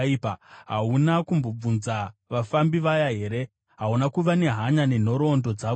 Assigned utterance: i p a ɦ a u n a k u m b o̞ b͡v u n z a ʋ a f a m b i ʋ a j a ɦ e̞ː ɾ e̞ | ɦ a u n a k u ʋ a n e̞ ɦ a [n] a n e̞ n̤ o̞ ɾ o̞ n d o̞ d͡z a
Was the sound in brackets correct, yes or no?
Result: no